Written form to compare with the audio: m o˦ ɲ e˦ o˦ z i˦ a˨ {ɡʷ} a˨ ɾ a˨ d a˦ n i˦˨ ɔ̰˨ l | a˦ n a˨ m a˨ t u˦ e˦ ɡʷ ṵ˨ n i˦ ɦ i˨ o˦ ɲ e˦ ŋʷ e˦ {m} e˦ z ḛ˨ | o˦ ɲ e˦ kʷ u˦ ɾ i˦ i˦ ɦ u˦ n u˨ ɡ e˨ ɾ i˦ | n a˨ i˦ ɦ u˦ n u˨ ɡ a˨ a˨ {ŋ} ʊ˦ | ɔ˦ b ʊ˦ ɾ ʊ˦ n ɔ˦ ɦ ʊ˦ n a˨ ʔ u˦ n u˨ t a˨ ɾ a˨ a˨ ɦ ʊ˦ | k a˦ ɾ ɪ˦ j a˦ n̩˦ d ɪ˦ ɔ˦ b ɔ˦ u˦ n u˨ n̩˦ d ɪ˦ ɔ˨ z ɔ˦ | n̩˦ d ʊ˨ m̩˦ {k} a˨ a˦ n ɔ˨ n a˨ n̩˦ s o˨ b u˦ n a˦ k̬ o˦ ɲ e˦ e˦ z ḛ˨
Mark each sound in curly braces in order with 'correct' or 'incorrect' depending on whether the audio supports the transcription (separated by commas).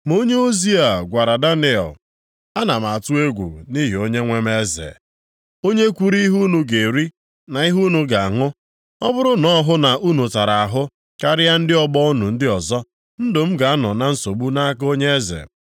correct, correct, correct, incorrect